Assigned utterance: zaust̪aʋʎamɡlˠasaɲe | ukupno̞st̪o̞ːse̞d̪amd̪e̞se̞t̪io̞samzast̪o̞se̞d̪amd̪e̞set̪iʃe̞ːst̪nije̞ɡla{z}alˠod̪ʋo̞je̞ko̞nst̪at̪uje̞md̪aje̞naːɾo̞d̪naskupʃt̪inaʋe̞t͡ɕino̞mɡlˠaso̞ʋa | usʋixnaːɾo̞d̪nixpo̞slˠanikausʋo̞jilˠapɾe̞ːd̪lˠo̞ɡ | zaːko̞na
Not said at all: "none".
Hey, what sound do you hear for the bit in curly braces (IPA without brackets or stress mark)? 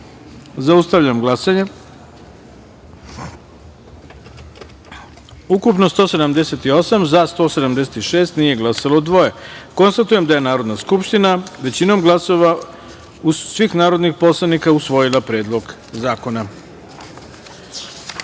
s